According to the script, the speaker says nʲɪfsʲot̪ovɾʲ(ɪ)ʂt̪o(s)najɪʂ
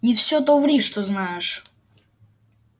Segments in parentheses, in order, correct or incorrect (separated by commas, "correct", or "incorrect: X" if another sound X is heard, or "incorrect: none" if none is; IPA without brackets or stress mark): incorrect: i, incorrect: z